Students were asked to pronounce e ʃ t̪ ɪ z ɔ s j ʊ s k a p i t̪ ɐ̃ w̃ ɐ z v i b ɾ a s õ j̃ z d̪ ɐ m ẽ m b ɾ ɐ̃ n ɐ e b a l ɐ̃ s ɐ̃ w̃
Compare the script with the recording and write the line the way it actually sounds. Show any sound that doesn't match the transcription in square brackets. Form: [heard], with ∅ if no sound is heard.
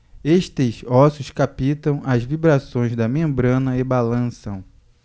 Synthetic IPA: e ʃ t̪ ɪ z ɔ s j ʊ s k a p i t̪ ɐ̃ w̃ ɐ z v i b ɾ a s õ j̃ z d̪ ɐ m ẽ m b ɾ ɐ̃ n ɐ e b a l ɐ̃ s ɐ̃ w̃